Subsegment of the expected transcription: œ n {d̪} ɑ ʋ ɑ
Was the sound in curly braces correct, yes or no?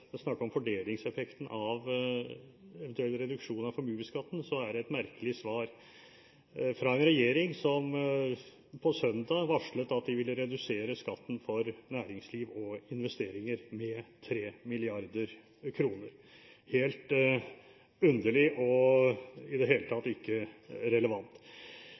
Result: yes